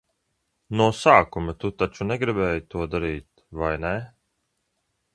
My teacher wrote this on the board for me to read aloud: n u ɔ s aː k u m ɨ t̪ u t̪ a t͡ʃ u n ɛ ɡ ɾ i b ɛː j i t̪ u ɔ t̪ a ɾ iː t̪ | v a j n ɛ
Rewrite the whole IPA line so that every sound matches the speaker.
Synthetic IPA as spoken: n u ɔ s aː k u m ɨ t̪ u t̪ a t͡ʃ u n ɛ ɡ ɾ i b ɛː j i t̪ u ɔ d̪ a ɾ iː t̪ | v a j n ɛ